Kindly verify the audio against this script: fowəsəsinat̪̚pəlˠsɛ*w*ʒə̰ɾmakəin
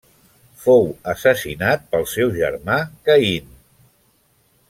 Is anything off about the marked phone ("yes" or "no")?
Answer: no